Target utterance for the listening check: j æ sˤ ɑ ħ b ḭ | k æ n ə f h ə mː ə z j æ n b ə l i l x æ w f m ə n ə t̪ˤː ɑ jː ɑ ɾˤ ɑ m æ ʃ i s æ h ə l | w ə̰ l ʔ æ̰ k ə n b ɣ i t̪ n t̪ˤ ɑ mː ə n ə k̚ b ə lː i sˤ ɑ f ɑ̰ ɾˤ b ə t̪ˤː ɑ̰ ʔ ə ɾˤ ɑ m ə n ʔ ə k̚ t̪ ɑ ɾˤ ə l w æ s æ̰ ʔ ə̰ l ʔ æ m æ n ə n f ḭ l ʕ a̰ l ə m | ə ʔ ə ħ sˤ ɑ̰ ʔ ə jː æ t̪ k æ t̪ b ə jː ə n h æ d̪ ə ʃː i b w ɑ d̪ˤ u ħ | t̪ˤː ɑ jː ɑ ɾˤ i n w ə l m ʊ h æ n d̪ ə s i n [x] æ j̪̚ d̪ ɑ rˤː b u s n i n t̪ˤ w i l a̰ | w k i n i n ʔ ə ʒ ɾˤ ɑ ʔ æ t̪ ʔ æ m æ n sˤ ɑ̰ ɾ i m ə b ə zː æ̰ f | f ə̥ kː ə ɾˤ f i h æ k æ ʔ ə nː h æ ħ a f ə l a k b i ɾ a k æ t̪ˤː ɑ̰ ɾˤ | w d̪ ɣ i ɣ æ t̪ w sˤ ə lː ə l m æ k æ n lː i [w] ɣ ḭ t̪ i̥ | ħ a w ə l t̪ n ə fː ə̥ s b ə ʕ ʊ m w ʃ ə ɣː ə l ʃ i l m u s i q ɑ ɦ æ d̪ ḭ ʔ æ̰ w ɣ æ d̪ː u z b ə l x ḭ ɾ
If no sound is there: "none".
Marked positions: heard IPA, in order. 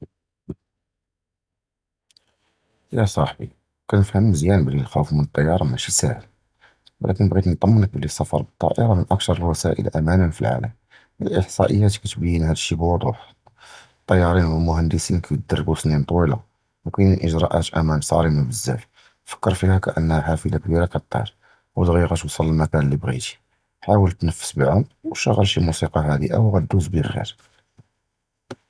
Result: k, b

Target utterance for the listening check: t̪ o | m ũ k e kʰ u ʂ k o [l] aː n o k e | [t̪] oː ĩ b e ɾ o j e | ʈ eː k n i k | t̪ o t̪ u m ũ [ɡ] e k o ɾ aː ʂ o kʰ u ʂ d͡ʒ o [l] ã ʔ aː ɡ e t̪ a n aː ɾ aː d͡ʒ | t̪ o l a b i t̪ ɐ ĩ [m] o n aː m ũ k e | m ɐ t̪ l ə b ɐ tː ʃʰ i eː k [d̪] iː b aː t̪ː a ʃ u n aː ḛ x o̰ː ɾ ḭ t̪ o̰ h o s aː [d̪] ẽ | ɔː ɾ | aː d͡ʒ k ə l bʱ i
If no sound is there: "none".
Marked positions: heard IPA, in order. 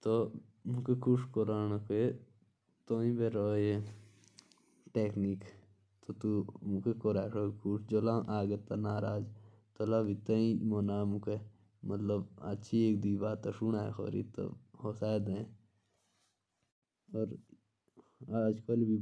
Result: ɾ, t̪, k, l, m, d̪, d̪

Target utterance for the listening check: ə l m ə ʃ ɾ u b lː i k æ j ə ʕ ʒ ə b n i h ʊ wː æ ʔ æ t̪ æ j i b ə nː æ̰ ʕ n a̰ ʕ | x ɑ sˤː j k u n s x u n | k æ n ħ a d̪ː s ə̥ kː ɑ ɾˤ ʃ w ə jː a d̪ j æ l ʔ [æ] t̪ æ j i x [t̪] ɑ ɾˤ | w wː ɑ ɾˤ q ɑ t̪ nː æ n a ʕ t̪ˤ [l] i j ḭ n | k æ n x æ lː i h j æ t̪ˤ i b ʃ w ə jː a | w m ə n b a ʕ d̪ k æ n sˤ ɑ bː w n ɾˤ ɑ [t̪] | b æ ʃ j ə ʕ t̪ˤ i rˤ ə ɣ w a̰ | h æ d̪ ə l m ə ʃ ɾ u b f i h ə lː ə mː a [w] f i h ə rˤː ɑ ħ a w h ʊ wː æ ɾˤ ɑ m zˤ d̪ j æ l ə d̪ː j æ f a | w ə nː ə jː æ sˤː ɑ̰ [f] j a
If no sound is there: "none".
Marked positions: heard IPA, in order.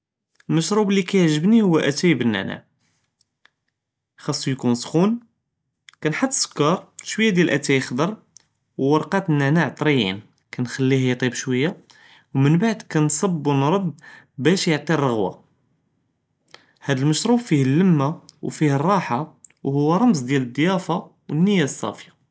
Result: æ, d̪, ɾ, d̪, w, f

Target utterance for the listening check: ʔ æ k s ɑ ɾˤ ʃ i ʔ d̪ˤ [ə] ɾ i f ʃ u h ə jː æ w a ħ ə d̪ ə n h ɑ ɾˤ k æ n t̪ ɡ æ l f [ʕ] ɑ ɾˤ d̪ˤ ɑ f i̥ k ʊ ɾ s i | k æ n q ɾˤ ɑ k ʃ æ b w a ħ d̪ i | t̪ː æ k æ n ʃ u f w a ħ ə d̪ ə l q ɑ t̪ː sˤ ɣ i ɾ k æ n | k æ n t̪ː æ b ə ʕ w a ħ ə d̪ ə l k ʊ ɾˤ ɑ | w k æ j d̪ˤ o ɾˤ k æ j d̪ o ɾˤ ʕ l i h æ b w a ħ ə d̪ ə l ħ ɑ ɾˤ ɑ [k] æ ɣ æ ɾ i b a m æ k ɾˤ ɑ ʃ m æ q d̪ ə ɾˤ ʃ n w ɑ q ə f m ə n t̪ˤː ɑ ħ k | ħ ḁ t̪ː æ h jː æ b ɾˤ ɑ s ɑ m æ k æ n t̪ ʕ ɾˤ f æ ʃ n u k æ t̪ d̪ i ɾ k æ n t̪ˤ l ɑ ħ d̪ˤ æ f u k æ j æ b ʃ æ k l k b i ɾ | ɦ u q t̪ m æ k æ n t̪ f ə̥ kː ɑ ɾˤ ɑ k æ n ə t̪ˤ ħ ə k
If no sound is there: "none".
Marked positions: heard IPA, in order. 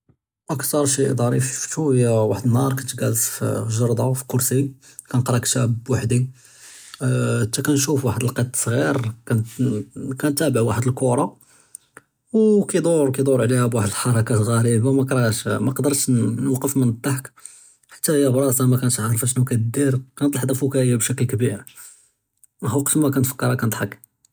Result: ɑ, ʒ, k

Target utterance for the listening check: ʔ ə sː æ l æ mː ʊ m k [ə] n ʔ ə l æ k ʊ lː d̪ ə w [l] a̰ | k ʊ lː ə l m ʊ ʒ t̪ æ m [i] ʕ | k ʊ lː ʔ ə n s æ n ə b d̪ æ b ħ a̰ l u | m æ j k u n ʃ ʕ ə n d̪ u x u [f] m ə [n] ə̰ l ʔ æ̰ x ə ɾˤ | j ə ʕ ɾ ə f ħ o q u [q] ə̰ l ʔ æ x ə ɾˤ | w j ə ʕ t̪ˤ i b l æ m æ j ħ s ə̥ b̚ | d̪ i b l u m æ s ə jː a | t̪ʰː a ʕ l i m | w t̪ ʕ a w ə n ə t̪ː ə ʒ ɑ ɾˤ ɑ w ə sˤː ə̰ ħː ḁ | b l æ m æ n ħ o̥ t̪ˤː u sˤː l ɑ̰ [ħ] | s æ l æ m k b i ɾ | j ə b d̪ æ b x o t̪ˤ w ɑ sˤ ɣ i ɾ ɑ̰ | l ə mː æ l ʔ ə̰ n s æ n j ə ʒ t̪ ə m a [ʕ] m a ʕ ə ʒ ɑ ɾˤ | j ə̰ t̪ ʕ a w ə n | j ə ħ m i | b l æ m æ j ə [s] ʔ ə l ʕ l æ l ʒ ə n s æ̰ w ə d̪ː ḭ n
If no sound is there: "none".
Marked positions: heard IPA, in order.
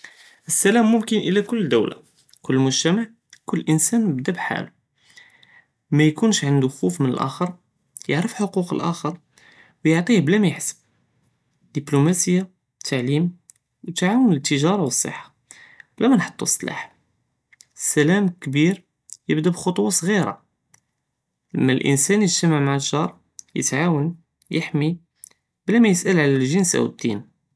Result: ə, l, a, f, n, q, ħ, ʕ, s

